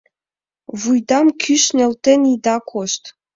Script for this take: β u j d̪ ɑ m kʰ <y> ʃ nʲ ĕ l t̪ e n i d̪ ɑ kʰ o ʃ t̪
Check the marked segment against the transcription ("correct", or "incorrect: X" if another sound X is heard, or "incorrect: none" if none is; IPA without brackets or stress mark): correct